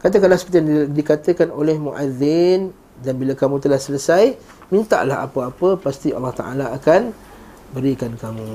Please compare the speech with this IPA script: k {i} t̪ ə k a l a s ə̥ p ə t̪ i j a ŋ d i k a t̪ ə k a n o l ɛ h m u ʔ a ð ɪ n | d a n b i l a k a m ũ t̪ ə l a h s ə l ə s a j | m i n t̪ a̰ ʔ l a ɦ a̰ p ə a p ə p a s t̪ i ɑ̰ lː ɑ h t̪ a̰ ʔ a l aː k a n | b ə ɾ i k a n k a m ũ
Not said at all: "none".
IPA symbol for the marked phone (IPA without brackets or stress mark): a